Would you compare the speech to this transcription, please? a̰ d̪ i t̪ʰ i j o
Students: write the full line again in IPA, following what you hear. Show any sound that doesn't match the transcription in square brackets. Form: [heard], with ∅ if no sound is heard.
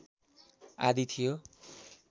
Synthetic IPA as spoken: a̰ d̪ i t̪ʰ i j o